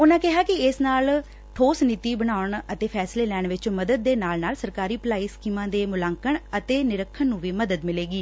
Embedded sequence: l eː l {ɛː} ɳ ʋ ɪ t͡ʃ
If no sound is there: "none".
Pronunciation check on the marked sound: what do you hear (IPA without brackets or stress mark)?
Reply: ɛː